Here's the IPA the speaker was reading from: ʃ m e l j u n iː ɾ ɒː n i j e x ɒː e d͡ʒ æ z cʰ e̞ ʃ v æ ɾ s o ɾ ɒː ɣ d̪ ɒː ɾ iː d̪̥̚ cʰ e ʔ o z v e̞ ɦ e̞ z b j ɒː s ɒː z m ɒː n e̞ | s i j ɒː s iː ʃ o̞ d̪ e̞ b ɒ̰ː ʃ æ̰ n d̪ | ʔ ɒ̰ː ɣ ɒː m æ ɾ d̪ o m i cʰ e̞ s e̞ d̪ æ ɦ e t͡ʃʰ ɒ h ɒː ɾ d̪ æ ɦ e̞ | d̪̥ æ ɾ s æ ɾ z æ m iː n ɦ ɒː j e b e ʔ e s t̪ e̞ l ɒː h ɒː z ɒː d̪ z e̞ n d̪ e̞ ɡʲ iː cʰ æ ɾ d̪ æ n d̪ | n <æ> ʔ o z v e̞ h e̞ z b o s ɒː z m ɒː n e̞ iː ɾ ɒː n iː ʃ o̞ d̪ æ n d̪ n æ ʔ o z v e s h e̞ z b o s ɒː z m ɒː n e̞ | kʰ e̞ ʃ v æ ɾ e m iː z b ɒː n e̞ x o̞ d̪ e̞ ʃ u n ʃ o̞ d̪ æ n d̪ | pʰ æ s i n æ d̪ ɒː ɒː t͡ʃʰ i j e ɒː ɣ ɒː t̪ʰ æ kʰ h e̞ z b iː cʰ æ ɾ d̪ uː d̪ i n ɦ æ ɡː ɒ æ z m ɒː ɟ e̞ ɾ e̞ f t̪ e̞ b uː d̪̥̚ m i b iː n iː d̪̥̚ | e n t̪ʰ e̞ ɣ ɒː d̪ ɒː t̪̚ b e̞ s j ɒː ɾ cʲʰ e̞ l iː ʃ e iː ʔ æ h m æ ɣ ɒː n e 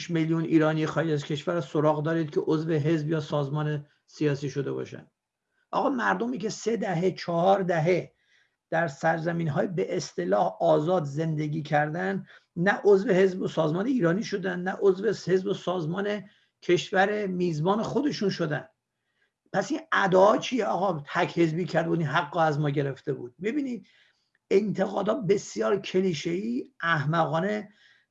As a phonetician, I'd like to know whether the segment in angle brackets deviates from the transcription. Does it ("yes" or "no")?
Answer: no